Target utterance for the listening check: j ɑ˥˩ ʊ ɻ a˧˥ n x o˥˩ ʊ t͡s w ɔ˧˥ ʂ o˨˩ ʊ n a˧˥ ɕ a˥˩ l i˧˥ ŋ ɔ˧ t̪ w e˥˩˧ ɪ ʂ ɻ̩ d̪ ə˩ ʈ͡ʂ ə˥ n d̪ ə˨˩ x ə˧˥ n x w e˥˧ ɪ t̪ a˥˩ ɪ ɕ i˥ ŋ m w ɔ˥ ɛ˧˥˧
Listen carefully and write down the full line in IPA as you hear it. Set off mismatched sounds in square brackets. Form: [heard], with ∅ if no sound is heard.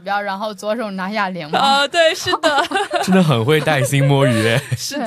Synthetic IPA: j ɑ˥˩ ʊ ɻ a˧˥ n x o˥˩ ʊ t͡s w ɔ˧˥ ʂ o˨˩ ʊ n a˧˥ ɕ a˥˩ l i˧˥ ŋ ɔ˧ t̪ w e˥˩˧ ɪ ʂ ɻ̩ d̪ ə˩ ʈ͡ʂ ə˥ n d̪ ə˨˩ x [ə˨˩] n x w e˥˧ ɪ t̪ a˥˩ ɪ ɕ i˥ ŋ m w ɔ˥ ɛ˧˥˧